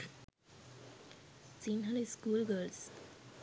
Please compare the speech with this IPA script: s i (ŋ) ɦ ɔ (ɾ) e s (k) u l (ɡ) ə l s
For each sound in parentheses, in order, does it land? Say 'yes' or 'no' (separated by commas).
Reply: no, no, yes, yes